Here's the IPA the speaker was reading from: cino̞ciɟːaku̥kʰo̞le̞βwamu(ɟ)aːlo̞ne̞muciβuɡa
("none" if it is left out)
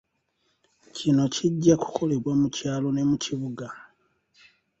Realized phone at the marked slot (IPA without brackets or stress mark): c